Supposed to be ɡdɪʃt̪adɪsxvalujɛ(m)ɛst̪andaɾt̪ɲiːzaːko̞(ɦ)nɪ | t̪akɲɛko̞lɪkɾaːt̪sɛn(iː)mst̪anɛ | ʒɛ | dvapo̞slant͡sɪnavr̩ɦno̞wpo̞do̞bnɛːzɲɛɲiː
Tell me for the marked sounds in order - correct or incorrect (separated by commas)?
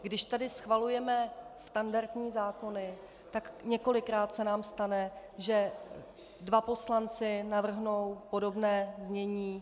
correct, incorrect, incorrect